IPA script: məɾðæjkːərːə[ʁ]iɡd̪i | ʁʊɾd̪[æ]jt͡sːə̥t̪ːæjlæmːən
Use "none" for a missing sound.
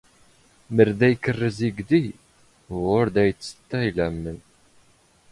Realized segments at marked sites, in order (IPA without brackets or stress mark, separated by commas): z, æ